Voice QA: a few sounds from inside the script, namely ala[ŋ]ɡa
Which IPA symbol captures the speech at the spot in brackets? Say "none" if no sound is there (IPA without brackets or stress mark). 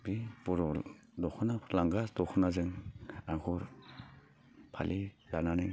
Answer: ŋ